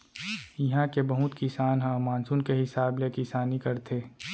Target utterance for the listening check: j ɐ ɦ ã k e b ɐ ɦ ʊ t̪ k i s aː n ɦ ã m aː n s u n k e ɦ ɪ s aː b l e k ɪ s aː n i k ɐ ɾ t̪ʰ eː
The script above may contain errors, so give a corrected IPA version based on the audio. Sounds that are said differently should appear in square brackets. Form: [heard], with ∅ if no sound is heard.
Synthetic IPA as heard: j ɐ ɦ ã k e b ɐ ɦ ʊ t̪ k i s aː n ɦ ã m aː n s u n k e ɦ ɪ s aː b l e k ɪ s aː n i k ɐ ɾ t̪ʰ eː